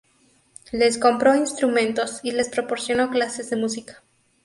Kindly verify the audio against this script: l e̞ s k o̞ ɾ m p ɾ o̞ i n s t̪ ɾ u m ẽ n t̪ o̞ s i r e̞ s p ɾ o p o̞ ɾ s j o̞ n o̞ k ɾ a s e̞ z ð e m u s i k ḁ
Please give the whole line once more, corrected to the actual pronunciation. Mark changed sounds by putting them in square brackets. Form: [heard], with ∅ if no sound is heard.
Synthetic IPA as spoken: l e̞ s k o̞ [∅] m p ɾ o̞ i n s t̪ ɾ u m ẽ n t̪ o̞ s i [l] e̞ s p ɾ o p o̞ ɾ s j o̞ n o̞ k [l] a s e̞ z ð e m u s i k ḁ

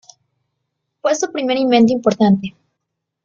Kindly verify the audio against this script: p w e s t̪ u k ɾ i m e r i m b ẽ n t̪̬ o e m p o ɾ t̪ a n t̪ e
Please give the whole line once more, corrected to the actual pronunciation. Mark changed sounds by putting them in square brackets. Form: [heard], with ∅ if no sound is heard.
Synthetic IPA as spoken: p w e s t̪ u [p] ɾ i m e [ɾ] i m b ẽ n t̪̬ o [i] m p o ɾ t̪ a n t̪ e

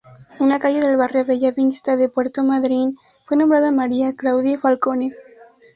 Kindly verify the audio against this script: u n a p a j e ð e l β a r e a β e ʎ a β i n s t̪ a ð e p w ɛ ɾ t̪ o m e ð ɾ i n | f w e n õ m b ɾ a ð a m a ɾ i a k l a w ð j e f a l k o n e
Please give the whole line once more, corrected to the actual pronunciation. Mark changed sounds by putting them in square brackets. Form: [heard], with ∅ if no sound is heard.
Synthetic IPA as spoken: u n a [k] a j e ð e l β a r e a β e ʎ a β i n s t̪ a ð e p w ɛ ɾ t̪ o m [a] ð ɾ i n | f w e n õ m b ɾ a ð a m a ɾ i a k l a w ð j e f a l k o n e

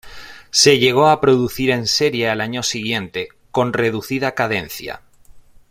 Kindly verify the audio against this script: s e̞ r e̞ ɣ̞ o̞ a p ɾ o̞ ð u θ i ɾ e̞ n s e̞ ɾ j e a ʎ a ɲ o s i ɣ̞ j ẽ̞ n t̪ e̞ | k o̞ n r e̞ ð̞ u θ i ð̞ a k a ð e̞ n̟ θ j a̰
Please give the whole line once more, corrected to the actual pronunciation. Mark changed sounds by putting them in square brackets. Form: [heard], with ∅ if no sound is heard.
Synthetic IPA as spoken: s e̞ [ʎ] e̞ ɣ̞ o̞ a p ɾ o̞ ð u θ i ɾ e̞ n s e̞ ɾ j e a [l] a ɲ o s i ɣ̞ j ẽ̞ n t̪ e̞ | k o̞ n r e̞ ð̞ u θ i ð̞ a k a ð e̞ n̟ θ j a̰

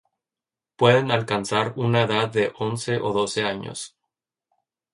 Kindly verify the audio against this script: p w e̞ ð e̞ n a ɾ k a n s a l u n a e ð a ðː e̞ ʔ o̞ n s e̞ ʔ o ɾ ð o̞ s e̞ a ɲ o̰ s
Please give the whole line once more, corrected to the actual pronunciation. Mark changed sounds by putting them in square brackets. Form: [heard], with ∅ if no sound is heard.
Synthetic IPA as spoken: p w e̞ ð e̞ n a [l] k a n s a [ɾ] u n a e ð a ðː e̞ ʔ o̞ n s e̞ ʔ o [∅] ð o̞ s e̞ a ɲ o̰ s

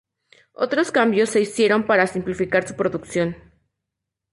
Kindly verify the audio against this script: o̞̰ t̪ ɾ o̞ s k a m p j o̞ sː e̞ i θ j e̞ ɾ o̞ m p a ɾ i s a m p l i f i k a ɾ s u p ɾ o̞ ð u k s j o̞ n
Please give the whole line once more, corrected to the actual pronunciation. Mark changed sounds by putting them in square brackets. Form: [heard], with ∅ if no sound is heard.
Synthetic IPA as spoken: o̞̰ t̪ ɾ o̞ s k a m [b] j o̞ sː e̞ i [s] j e̞ ɾ o̞ m p a ɾ [a] s [i] m p l i f i k a ɾ s u p ɾ o̞ ð u k s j o̞ n

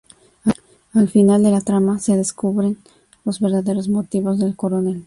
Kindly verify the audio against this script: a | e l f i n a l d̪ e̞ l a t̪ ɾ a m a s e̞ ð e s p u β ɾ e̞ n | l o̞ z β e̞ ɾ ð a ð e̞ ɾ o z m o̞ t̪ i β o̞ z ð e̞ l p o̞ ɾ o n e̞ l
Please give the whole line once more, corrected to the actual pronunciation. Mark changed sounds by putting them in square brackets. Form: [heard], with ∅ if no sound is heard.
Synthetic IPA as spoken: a | [a] l f i n a l d̪ e̞ l a t̪ ɾ a m a s e̞ ð e s [k] u β ɾ e̞ n | l o̞ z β e̞ ɾ ð a ð e̞ ɾ o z m o̞ t̪ i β o̞ z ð e̞ l [k] o̞ ɾ o n e̞ l

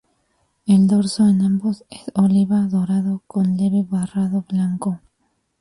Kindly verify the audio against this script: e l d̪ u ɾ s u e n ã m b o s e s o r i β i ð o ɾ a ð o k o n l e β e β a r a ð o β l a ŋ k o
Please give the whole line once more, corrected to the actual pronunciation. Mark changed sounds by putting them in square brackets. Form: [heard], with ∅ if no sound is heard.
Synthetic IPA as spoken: e l d̪ [o] ɾ s [o] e n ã m b o s e s o [l] i β [a] ð o ɾ a ð o k o n l e β e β a r a ð o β l a ŋ k o

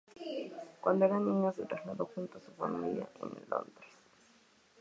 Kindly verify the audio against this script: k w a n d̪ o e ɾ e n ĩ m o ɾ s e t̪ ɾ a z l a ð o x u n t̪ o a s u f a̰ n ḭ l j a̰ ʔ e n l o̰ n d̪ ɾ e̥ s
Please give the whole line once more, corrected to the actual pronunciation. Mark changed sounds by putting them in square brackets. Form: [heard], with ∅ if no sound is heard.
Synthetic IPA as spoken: k w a n d̪ o e ɾ [a] n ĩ [ɲ] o [∅] s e t̪ ɾ a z l a ð o x u n t̪ o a s u f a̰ [m] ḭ l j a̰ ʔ e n l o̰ n d̪ ɾ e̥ s

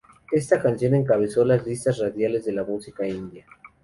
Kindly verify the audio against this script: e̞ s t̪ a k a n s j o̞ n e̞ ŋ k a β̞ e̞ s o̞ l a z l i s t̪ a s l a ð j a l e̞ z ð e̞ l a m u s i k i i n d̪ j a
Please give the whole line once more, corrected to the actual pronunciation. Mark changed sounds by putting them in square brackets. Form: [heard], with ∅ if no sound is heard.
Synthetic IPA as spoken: e̞ s t̪ a k a n s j o̞ n e̞ ŋ k a β̞ e̞ s o̞ l a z l i s t̪ a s [r] a ð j a l e̞ z ð e̞ l a m u s i k [a] i n d̪ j a

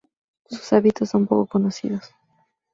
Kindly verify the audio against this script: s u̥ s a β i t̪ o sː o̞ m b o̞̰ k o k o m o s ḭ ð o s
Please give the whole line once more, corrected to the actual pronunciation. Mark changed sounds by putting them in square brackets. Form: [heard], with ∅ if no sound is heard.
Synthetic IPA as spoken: s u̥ s a β i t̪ o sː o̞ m [p] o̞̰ k o k o [n] o s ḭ ð o s

